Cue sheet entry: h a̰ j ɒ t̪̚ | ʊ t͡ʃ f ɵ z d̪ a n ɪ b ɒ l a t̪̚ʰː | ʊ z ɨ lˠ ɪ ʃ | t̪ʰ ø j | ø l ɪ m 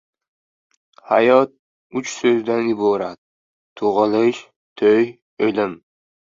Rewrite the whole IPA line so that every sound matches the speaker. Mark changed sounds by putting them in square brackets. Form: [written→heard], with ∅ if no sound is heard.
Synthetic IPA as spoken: h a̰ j ɒ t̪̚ | ʊ t͡ʃ [f→s] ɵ z d̪ a n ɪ b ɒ [l→ɾ] a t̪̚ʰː | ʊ [z→ʁ] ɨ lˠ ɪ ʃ | t̪ʰ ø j | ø l ɪ m